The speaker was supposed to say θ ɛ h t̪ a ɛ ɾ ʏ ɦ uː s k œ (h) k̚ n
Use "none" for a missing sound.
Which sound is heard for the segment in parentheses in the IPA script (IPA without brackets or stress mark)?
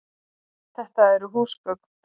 none